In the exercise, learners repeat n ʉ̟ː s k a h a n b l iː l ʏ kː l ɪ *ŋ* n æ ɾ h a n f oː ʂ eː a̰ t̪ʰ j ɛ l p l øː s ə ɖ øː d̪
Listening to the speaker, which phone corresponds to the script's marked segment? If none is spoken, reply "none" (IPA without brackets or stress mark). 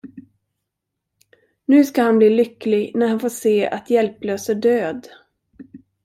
ɡ